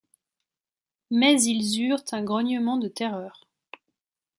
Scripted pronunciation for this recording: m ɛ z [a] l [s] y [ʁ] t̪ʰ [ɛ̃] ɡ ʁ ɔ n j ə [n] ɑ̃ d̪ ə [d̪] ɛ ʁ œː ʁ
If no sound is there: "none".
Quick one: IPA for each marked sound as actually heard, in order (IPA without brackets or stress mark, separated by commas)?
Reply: i, z, ʁ, ɛ̃, m, t̪